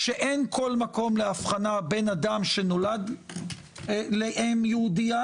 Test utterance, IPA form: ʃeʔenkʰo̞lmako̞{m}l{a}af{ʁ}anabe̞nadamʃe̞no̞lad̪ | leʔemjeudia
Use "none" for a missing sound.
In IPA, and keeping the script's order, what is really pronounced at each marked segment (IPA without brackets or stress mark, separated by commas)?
m, e, χ